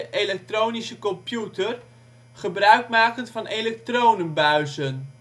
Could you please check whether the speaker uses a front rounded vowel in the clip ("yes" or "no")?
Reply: yes